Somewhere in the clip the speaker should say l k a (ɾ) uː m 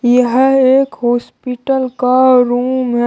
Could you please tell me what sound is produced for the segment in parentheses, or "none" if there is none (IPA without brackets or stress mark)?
ɾ